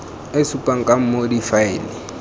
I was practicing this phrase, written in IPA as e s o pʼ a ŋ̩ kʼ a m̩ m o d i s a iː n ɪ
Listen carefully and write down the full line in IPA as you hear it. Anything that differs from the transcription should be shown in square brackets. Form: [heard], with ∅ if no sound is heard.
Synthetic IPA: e s [u] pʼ a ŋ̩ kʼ a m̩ m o d i [f] a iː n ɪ